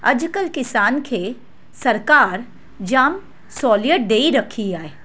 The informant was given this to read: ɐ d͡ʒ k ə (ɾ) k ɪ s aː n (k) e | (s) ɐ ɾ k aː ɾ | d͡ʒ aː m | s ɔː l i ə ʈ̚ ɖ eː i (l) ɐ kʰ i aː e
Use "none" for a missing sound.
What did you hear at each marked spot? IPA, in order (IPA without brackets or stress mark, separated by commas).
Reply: l, kʰ, s, ɾ